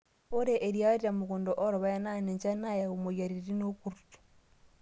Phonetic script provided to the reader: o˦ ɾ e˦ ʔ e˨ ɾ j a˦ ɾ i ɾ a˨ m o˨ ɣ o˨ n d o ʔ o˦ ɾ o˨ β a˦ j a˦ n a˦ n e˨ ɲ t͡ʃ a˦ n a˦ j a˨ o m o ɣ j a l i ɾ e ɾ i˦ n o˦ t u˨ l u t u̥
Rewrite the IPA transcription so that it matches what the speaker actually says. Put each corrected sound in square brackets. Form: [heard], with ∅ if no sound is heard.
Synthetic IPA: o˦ ɾ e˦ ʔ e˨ ɾ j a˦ ɾ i ɾ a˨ m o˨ ɣ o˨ n d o ʔ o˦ ɾ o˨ β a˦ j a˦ n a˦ n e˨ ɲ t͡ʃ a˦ n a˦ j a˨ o m o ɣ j a [ɾ] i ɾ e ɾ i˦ n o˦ [k] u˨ [ɾ] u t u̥